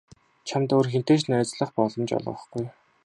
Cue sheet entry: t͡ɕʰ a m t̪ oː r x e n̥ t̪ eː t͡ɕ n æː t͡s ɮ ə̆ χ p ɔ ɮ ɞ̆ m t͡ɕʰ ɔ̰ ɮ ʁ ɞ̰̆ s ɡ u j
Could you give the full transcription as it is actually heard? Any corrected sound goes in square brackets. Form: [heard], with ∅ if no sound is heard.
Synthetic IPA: t͡ɕʰ a m t̪ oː r x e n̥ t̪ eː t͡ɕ n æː t͡s ɮ ə̆ χ p ɔ ɮ ɞ̆ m [t͡ɕ] ɔ̰ ɮ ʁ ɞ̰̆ [χ] ɡ u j

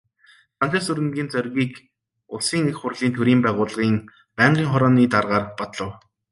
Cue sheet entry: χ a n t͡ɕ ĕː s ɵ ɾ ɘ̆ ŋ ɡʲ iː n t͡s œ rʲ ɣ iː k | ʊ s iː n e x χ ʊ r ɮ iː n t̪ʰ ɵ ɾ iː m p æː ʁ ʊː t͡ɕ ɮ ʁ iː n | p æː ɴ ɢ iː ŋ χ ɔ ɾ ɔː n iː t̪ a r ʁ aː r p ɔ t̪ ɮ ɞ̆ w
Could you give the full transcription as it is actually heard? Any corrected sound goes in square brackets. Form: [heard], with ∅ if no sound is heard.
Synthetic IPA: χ a n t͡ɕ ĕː s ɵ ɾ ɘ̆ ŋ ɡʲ iː n t͡s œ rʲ ɣ iː k | ʊ s iː [ŋ] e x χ ʊ r ɮ iː n t̪ʰ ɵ ɾ iː m p æː ʁ ʊː [∅] ɮ ʁ iː [ŋ] | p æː ɴ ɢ iː ŋ χ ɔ ɾ ɔː n iː t̪ a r ʁ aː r p ɔ t̪ ɮ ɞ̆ w

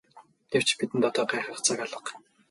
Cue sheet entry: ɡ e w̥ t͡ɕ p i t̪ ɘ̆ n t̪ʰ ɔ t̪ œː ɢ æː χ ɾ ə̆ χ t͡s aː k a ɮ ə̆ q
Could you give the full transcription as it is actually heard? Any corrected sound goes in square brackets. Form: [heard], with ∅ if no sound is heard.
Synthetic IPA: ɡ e w̥ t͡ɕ p i t̪ ɘ̆ n [t̪] ɔ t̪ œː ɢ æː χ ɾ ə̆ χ t͡s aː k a ɮ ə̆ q

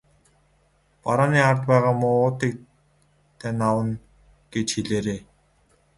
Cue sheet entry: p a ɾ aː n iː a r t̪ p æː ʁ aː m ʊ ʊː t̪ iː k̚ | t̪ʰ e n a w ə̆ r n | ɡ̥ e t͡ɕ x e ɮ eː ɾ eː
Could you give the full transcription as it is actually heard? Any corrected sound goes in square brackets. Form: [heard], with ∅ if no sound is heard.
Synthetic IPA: p a ɾ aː n iː a r t̪ p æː ʁ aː m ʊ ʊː t̪ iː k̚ | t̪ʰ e n a w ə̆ [∅] n | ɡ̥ e t͡ɕ x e ɮ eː ɾ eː

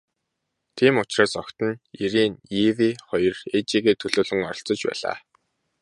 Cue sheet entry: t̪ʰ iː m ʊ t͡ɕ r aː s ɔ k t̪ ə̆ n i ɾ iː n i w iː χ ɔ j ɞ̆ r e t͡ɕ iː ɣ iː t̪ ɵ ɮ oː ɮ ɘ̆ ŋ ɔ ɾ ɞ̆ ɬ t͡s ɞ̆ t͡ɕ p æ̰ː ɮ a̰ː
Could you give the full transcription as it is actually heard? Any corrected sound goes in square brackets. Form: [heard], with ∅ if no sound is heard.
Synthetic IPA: t̪ʰ iː m ʊ t͡ɕ r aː s ɔ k t̪ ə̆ n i ɾ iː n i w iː χ ɔ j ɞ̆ r e t͡ɕ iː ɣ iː [t̪ʰ] ɵ ɮ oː ɮ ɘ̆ ŋ ɔ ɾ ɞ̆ ɬ t͡s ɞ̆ t͡ɕ p æ̰ː ɮ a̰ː

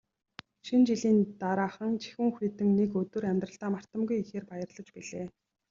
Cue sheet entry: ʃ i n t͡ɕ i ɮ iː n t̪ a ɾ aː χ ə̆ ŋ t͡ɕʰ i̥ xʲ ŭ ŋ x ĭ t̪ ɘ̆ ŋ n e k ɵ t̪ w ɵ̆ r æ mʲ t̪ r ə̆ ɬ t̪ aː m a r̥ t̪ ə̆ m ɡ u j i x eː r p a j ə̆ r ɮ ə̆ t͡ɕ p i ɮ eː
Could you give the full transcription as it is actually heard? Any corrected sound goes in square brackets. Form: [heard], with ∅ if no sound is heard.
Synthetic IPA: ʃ i n t͡ɕ i ɮ iː n t̪ a ɾ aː χ ə̆ ŋ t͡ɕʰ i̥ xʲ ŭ ŋ x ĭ t̪ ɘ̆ ŋ n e k ɵ t̪ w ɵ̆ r æ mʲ t̪ r ə̆ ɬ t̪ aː m a r̥ t̪ ə̆ m ɡ u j i x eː r p a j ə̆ r ɮ ə̆ t͡ɕ p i ɮ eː

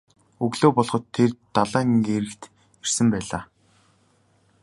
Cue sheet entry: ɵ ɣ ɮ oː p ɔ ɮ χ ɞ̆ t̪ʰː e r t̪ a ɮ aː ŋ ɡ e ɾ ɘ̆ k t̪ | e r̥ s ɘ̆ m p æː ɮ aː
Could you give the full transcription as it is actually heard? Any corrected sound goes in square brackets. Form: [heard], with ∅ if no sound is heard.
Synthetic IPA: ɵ ɣ ɮ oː p ɔ ɮ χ ɞ̆ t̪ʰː e r t̪ a ɮ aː ŋ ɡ e ɾ ɘ̆ k t̪ | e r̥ s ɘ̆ m p æː ɮ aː

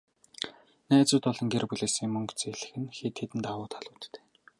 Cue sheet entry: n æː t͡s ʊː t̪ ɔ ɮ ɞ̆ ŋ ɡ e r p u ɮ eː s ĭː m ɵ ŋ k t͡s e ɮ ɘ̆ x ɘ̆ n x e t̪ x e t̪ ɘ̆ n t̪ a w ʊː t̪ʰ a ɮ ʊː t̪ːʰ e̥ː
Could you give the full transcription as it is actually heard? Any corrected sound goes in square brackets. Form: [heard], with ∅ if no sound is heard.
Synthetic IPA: n æː t͡s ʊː t̪ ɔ ɮ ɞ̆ ŋ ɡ e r p u ɮ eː s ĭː m ɵ ŋ k t͡s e ɮ ɘ̆ x ɘ̆ n x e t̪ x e t̪ ɘ̆ n t̪ a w ʊː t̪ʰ a ɮ ʊː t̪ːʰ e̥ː

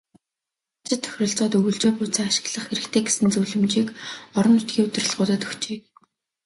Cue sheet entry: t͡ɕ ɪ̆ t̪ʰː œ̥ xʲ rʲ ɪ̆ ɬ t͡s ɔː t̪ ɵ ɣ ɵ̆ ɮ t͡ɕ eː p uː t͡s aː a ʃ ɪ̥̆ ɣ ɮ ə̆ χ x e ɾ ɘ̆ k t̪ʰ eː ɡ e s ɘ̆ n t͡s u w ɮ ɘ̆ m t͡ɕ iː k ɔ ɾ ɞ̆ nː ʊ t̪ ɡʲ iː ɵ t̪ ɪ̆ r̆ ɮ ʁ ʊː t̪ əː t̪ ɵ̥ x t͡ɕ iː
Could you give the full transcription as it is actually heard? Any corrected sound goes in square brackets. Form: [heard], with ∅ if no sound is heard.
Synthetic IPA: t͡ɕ ɪ̆ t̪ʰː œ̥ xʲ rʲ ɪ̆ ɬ t͡s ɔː t̪ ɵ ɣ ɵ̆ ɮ t͡ɕ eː p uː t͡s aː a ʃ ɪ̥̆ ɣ ɮ ə̆ χ x e ɾ ɘ̆ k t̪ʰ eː ɡ e s ɘ̆ n t͡s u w ɮ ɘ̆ m t͡ɕ iː k ɔ ɾ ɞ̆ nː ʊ t̪ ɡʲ iː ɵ t̪ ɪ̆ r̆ ɮ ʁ ʊː t̪ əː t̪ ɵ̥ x t͡ɕ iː

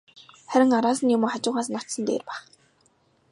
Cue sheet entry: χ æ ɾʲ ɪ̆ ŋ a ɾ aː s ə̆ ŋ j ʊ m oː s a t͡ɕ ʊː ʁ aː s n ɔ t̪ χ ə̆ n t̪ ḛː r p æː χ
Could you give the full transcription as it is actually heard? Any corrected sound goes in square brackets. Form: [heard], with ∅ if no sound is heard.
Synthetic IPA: χ æ ɾʲ ɪ̆ ŋ a ɾ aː s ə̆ [n] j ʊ m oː [χ] a t͡ɕ ʊː ʁ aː s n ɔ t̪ [s] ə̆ n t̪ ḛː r p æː χ

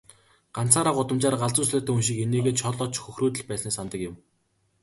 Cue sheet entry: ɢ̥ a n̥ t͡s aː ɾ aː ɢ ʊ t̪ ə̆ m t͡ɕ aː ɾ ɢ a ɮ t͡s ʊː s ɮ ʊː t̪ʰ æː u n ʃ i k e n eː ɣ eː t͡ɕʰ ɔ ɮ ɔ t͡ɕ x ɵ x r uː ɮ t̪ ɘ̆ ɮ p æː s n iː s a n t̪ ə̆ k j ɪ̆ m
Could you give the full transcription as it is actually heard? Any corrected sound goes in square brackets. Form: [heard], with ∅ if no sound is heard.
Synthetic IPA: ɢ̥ a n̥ t͡s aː ɾ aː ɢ ʊ t̪ ə̆ m t͡ɕ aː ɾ ɢ a ɮ t͡s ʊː s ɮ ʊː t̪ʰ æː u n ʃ i k e n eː ɣ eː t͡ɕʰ ɔ ɮ ɔ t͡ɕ x ɵ x r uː [∅] t̪ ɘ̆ ɮ p æː s n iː s a n t̪ ə̆ k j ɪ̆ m

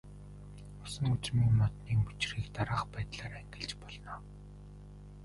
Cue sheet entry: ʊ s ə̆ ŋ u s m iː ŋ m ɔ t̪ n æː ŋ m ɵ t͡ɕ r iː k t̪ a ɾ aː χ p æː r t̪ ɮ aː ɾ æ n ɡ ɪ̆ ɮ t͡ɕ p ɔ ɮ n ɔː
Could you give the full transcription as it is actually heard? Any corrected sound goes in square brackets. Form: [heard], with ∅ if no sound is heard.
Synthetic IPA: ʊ s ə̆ ŋ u [t͡s] m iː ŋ m ɔ t̪ n [iː] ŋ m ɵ t͡ɕ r iː k t̪ a ɾ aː χ p æː [∅] t̪ ɮ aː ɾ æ [ŋ] ɡ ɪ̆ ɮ t͡ɕ p ɔ ɮ n ɔː

